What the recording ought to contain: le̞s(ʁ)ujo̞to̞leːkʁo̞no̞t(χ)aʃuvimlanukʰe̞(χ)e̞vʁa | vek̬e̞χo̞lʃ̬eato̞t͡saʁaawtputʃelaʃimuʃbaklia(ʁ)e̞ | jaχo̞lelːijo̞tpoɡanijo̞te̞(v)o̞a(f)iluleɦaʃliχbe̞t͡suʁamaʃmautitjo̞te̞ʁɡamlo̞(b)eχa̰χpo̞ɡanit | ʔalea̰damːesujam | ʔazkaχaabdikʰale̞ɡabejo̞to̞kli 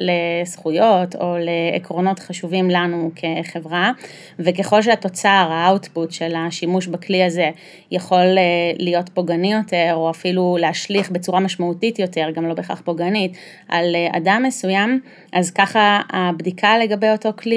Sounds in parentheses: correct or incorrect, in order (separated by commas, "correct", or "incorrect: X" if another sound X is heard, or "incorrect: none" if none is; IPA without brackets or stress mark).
incorrect: χ, correct, correct, incorrect: z, incorrect: ʁ, correct, correct